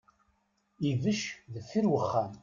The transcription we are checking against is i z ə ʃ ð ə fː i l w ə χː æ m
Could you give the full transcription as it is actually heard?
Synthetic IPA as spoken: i v ə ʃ ð ə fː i ɾ w ə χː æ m